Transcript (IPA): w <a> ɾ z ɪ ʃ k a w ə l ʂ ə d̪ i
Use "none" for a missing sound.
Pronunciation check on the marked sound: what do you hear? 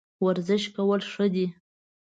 a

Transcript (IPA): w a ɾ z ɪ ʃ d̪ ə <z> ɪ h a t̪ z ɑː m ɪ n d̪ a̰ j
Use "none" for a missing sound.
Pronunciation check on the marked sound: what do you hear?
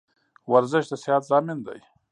s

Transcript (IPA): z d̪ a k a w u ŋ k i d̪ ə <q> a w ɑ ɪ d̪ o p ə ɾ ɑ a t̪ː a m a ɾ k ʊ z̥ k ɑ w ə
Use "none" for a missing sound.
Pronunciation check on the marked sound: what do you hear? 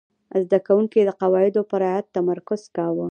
q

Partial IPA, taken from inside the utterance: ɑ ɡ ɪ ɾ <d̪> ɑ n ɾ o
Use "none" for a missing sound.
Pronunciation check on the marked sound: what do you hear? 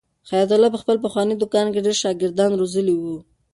d̪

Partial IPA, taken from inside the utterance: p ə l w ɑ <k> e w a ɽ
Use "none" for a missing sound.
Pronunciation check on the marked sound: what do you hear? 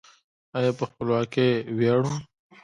k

